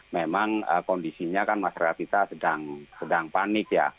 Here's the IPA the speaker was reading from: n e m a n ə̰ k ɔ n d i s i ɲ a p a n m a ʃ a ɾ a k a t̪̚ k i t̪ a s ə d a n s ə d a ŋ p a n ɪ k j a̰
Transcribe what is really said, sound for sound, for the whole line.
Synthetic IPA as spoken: m e m a ŋ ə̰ k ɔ n d i s i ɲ a k a n m a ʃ a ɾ a k a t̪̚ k i t̪ a s ə d a ŋ s ə d a ŋ p a n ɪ k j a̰